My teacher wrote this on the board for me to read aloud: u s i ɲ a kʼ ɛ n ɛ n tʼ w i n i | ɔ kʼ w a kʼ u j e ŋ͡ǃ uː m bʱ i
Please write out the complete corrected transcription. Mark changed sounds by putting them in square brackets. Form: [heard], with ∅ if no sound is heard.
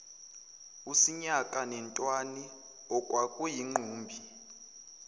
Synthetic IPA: u s i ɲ a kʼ [a] n ɛ n tʼ w [a] n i | ɔ kʼ w a kʼ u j [i] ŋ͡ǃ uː m bʱ i